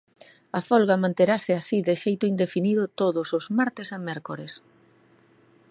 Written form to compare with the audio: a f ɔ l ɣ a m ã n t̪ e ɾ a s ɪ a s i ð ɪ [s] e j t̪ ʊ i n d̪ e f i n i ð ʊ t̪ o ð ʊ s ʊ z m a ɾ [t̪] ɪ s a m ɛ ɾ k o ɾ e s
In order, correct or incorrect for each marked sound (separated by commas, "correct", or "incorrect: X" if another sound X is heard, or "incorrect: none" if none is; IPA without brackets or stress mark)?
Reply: incorrect: ʃ, correct